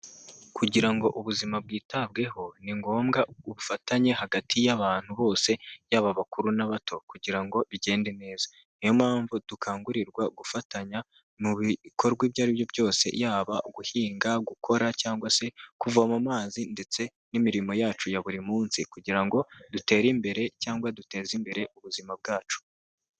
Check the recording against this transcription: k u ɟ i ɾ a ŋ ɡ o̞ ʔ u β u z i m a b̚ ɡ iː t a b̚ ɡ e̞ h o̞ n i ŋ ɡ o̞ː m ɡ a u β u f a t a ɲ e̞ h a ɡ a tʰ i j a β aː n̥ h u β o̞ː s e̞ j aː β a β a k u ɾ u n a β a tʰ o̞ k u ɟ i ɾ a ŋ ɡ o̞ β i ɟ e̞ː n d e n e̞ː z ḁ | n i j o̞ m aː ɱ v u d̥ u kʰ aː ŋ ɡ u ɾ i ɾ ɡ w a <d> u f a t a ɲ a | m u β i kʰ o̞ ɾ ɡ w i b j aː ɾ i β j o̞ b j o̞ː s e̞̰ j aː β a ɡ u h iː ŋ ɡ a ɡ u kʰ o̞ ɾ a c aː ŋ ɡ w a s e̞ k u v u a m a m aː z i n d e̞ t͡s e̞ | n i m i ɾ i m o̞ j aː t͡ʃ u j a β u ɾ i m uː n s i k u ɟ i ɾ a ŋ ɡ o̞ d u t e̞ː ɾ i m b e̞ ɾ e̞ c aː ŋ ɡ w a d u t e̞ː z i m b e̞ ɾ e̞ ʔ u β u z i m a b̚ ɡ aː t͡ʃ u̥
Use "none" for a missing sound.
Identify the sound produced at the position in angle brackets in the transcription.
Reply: ɡ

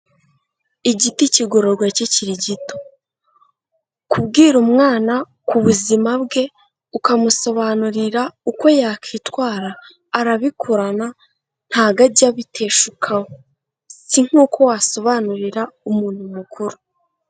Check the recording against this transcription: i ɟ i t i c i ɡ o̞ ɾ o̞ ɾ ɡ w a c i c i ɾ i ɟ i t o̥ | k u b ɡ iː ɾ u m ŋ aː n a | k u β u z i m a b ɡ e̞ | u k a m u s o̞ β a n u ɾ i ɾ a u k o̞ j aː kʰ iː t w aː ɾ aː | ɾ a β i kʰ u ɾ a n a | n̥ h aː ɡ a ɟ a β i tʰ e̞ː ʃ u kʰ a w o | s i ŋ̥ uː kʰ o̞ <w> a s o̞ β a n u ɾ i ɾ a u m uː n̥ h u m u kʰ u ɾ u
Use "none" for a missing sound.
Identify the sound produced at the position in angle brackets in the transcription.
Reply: w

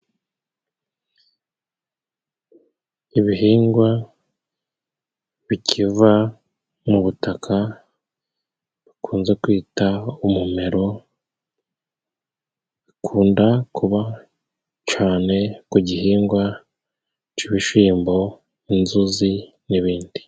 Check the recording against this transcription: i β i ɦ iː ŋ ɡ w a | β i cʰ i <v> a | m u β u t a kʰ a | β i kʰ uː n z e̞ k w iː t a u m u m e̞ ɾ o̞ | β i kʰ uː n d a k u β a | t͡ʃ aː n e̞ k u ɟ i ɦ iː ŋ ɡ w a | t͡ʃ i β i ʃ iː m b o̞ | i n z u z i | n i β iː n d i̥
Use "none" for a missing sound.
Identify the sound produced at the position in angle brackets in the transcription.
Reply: v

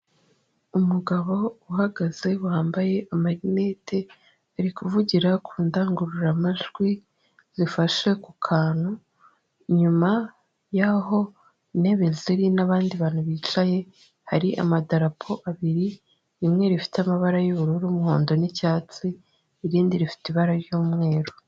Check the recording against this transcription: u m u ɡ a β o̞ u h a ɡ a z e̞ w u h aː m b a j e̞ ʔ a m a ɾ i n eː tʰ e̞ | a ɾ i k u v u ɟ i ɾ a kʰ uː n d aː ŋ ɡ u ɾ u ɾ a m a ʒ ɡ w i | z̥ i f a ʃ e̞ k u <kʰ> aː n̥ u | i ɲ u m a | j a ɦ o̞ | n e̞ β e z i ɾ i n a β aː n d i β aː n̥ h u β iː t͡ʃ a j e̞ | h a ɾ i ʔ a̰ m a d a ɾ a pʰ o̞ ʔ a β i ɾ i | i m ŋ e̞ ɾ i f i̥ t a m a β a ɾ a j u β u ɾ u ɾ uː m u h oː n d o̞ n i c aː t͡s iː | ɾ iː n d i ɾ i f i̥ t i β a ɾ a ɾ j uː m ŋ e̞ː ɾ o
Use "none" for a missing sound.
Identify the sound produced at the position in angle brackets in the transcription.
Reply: kʰ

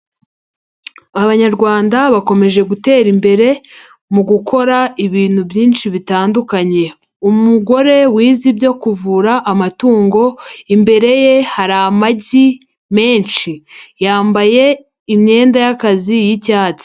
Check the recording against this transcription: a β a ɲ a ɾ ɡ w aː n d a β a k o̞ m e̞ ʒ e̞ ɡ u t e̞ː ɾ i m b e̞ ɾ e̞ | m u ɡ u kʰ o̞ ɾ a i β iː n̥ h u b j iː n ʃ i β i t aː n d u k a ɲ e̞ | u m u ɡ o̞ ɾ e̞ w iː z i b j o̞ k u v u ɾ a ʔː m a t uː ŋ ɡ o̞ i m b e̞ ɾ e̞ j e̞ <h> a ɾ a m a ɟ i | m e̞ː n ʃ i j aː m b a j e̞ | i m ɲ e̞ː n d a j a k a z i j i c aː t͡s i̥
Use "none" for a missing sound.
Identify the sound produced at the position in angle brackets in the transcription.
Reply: h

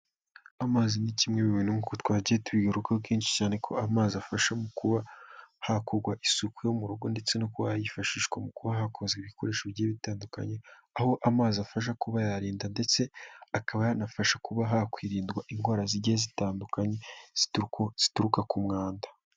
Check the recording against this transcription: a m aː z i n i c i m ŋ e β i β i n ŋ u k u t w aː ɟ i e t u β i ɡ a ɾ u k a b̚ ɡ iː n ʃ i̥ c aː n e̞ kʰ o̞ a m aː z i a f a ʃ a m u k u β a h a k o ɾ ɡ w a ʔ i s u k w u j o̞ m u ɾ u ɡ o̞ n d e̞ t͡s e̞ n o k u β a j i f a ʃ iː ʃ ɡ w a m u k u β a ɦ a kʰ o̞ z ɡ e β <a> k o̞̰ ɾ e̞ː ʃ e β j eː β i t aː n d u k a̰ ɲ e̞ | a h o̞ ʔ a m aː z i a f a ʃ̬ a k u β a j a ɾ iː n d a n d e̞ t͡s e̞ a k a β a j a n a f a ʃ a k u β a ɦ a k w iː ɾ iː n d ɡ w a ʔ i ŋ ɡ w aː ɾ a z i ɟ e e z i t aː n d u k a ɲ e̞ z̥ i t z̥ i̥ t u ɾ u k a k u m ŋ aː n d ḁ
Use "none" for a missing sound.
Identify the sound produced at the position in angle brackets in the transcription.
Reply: i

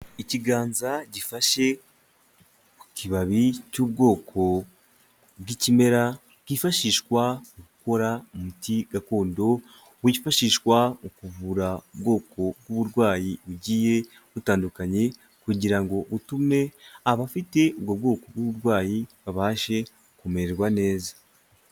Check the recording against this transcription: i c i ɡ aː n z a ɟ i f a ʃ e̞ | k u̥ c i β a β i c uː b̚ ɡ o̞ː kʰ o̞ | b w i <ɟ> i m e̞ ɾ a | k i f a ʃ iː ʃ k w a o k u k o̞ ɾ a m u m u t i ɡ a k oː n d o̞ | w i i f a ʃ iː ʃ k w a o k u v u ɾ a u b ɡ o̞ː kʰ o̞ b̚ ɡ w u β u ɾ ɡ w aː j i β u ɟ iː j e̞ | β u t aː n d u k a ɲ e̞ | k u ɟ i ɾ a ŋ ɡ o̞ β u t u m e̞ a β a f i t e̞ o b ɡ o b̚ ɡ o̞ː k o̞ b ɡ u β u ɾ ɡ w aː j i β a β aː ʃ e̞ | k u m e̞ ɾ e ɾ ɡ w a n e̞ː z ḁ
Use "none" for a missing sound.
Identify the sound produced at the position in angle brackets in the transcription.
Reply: c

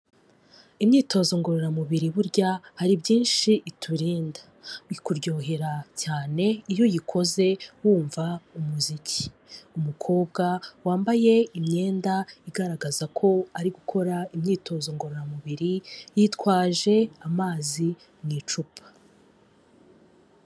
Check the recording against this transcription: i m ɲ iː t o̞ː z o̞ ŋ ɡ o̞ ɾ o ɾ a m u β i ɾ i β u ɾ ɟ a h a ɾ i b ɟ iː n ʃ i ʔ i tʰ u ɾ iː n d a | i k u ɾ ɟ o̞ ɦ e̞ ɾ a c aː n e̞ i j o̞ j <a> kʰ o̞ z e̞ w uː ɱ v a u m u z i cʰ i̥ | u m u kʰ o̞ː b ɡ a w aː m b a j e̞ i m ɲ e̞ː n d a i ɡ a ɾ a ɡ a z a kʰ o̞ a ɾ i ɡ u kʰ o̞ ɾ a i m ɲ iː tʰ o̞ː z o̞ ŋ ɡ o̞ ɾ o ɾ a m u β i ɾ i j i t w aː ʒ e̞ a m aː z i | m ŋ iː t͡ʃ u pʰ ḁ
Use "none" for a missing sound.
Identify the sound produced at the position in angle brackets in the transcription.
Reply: i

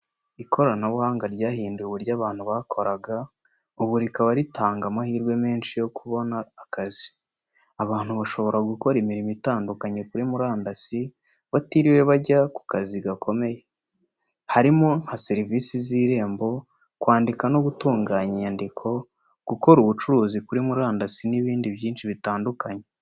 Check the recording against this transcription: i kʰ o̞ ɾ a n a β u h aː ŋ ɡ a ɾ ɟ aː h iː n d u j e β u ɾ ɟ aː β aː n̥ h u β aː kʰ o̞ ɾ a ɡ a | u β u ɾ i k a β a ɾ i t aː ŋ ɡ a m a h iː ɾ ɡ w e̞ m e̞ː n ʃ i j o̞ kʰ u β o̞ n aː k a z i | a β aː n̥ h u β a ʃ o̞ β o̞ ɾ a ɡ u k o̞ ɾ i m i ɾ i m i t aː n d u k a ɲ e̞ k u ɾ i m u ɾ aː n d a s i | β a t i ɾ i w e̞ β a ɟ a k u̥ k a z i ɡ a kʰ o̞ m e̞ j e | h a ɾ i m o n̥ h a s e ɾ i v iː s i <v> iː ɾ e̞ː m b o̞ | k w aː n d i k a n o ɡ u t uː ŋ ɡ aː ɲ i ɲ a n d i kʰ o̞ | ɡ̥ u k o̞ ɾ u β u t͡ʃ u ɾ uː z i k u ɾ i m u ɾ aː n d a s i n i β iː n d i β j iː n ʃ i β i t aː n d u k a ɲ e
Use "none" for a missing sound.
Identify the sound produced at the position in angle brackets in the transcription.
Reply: z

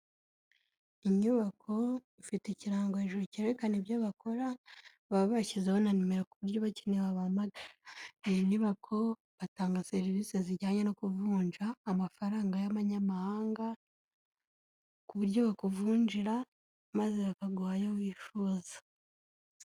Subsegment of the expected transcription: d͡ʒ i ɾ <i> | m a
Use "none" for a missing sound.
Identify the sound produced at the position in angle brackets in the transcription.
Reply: a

